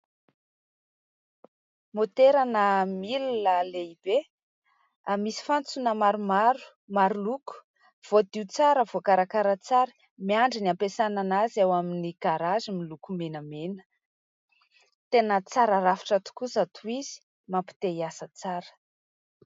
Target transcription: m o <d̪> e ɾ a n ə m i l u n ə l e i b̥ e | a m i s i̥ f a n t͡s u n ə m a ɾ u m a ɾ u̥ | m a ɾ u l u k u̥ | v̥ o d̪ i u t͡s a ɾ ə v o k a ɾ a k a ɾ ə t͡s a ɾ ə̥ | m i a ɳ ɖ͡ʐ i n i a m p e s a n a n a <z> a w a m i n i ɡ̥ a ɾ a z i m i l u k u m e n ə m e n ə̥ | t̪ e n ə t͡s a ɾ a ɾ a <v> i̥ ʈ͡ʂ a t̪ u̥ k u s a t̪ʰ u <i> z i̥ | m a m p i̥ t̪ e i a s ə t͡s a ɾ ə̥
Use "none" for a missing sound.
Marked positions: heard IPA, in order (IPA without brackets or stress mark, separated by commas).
t̪, z, f, i